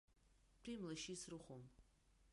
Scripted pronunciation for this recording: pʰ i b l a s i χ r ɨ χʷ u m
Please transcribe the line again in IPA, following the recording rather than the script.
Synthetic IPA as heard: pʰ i m l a ʃ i s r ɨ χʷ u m